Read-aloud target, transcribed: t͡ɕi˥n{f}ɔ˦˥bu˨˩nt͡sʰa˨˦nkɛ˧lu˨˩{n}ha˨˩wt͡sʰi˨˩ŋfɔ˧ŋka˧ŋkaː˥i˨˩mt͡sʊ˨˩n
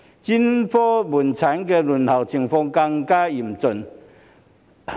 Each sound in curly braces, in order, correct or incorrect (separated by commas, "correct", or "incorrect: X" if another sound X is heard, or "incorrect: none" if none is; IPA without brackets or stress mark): correct, correct